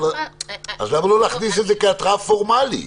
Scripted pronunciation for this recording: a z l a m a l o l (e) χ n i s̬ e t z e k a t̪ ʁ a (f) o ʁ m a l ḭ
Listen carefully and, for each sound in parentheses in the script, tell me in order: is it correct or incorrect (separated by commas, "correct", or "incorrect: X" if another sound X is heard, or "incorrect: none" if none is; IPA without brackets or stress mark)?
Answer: incorrect: a, correct